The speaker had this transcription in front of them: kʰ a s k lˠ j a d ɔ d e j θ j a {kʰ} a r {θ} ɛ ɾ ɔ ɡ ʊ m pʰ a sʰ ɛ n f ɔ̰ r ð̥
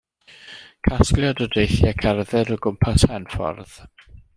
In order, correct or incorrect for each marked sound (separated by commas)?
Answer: correct, incorrect